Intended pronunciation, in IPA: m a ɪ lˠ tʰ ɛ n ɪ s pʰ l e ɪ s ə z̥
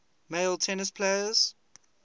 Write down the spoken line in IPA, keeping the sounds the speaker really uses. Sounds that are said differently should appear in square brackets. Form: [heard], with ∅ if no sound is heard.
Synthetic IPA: m [e] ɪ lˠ tʰ ɛ n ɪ s pʰ l e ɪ [∅] ə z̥